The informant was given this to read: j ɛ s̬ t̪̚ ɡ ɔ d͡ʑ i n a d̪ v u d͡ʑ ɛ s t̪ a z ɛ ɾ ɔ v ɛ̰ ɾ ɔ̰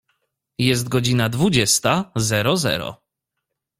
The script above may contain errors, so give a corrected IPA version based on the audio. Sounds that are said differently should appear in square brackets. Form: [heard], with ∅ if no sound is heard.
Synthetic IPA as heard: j ɛ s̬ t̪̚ ɡ ɔ d͡ʑ i n a d̪ v u d͡ʑ ɛ s t̪ a z ɛ ɾ ɔ [z] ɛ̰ ɾ ɔ̰